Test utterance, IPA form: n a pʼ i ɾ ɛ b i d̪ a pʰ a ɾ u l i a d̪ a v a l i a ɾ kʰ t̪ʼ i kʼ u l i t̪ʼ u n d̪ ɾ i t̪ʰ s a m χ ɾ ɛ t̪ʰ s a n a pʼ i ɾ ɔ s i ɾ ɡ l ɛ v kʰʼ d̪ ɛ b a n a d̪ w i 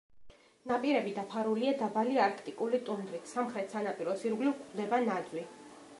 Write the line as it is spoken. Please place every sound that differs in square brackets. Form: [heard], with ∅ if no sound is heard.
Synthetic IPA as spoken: n a pʼ i ɾ ɛ b i d̪ a pʰ a ɾ u l i a d̪ a [b] a l i a ɾ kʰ t̪ʼ i kʼ u l i t̪ʼ u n d̪ ɾ i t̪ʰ s a m χ ɾ ɛ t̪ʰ s a n a pʼ i ɾ ɔ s i ɾ ɡ l [i] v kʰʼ d̪ ɛ b a n a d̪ w i